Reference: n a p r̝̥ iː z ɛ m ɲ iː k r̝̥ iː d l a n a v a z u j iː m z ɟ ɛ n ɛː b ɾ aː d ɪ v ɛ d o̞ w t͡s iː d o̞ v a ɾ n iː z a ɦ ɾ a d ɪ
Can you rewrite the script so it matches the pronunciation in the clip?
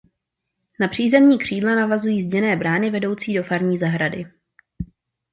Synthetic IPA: n a p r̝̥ iː z ɛ m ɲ iː k r̝̥ iː d l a n a v a z u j iː z ɟ ɛ n ɛː b ɾ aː n ɪ v ɛ d o̞ w t͡s iː d o̞ f a ɾ ɲ iː z a ɦ ɾ a d ɪ